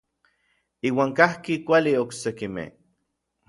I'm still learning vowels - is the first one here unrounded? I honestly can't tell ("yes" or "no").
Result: yes